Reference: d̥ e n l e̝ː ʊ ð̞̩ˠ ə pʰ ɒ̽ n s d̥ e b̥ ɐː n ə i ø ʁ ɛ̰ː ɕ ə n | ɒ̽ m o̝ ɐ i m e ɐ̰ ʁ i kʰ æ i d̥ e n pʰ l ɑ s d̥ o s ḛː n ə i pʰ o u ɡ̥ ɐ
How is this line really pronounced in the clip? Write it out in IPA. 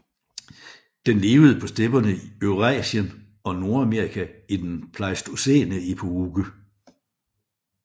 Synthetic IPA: d̥ e n l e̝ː ʊ ð̞̩ˠ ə pʰ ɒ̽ s d̥ e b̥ ɐ n ə i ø ʁ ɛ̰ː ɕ ə n | ɒ̽ n o̝ ɐ æ m e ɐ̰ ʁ i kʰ æ i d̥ e n pʰ l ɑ s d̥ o s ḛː n ə i pʰ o u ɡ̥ ə